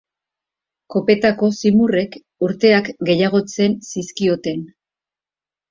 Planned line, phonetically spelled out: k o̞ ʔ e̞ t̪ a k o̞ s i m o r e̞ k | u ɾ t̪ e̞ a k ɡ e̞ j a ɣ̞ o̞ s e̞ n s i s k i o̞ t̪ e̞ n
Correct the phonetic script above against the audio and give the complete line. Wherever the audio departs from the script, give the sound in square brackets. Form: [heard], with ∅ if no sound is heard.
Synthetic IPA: k o̞ [p] e̞ t̪ a k o̞ s i m [u] r e̞ k | u ɾ t̪ e̞ a k ɡ e̞ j a ɣ̞ o̞ [t͡s] e̞ n s i s k i o̞ t̪ e̞ n